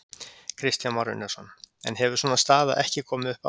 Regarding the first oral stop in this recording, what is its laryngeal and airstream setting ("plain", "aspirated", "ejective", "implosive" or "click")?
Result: aspirated